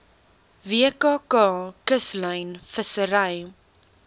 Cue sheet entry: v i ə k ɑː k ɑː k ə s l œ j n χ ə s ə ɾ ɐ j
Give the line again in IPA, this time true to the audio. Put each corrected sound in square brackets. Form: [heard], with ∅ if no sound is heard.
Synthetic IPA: v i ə k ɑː k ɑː k ə s l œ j n [f] ə s ə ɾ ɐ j